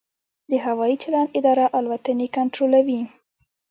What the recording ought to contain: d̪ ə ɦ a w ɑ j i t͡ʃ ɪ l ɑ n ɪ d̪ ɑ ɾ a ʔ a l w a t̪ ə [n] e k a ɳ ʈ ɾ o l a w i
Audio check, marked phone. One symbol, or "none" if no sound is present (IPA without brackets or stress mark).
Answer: n